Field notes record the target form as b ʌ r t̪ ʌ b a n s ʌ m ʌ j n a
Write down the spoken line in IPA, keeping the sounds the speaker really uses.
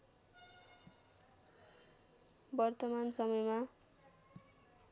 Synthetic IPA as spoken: b ʌ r t̪ ʌ m a n s ʌ m ʌ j m a